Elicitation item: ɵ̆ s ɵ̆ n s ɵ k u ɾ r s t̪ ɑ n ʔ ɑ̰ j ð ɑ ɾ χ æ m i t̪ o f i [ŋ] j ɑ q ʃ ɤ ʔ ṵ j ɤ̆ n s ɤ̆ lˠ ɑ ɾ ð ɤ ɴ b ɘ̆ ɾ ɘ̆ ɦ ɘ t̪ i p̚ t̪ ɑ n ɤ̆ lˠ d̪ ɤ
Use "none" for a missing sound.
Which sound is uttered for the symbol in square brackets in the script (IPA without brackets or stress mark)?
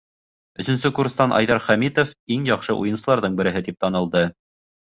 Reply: ŋ